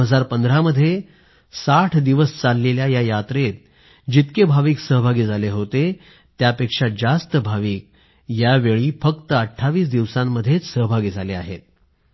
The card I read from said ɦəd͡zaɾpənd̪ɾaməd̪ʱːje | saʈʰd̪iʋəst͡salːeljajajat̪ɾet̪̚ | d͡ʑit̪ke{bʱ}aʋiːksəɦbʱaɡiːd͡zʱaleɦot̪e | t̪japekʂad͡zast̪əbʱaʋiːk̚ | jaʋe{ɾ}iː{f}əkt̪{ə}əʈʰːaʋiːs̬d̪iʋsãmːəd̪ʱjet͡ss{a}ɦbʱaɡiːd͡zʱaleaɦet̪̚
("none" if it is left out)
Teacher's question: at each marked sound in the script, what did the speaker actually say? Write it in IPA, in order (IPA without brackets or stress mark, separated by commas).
bʱ, ɭ, f, ə, ə